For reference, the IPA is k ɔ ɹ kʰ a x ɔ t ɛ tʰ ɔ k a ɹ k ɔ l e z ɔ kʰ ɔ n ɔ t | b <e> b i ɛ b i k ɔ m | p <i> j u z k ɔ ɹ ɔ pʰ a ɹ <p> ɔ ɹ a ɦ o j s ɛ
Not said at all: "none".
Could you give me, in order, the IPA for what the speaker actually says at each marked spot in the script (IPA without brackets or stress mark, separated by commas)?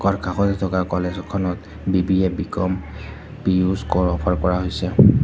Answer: i, i, k